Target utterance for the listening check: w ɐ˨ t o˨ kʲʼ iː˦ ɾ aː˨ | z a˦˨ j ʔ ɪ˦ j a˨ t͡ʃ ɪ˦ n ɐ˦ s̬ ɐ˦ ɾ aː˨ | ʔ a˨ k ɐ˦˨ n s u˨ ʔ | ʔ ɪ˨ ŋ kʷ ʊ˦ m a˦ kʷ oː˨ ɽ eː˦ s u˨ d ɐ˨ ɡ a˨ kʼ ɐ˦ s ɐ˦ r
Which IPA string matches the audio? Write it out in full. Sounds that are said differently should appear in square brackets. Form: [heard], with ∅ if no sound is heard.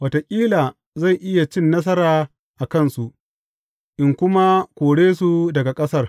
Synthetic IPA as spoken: w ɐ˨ t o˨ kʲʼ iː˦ [l] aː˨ | z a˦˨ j ʔ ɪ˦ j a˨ t͡ʃ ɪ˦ [nː] ɐ˦ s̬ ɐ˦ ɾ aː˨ | ʔ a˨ k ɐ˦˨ n s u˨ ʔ | ʔ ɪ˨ ŋ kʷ ʊ˦ m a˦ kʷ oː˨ ɽ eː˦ s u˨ d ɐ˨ ɡ a˨ kʼ ɐ˦ s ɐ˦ r